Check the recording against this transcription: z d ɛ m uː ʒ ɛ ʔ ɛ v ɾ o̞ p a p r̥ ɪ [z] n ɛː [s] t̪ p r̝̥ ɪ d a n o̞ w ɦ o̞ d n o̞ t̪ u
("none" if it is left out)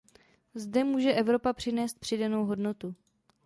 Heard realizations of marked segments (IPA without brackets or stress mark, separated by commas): none, s